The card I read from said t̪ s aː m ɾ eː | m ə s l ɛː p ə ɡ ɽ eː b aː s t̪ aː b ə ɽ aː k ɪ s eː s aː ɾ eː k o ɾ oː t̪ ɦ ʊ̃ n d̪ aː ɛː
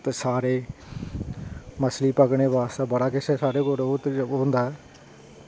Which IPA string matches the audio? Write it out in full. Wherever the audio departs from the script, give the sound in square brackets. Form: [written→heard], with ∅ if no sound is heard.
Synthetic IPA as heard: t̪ s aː [m→∅] ɾ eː | m ə s l [ɛː→iː] p ə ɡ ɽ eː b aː s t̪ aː b ə ɽ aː k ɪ s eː s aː ɾ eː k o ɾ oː t̪ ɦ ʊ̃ n d̪ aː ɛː